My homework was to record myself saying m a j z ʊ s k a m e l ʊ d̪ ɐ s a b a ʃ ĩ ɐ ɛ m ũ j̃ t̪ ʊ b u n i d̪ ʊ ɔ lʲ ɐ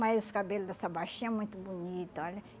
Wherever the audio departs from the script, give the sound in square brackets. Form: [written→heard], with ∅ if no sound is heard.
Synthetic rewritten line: m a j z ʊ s k a [m→b] e l ʊ d̪ ɐ s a b a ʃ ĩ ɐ ɛ m ũ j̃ t̪ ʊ b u n i [d̪→t̪] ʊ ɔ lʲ ɐ